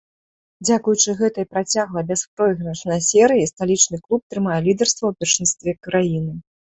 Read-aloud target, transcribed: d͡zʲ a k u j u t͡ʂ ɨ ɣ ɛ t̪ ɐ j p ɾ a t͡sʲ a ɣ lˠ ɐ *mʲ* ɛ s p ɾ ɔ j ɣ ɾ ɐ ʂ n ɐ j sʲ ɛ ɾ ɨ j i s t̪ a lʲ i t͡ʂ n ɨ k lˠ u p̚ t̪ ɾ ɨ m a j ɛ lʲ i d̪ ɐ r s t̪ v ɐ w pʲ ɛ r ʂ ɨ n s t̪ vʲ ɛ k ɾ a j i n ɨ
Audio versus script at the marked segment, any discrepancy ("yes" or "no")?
yes